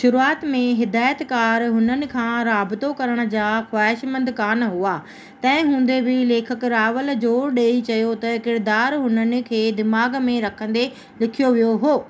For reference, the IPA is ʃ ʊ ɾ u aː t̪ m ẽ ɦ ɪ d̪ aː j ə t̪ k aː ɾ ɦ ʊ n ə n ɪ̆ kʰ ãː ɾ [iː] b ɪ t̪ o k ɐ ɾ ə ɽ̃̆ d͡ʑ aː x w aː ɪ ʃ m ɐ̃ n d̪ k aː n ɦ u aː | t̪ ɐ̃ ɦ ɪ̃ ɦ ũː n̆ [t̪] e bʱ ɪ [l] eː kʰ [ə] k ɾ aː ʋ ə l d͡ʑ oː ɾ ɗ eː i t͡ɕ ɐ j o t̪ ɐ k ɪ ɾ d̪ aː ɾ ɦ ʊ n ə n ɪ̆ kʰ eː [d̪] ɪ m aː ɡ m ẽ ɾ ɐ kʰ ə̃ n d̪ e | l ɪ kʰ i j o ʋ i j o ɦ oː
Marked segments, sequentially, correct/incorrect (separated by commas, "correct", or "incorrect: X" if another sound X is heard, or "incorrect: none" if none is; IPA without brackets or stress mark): incorrect: aː, incorrect: d̪, correct, correct, correct